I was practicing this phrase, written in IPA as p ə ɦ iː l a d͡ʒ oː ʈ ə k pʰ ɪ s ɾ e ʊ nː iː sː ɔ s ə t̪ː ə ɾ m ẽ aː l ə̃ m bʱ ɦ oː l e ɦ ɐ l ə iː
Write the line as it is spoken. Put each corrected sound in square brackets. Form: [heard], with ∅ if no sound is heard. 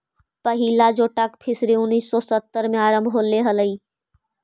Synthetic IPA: p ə ɦ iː l a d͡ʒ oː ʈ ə k pʰ ɪ s ɾ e ʊ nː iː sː ɔ s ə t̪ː ə ɾ m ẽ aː [ɾ] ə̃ m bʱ ɦ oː l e ɦ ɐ l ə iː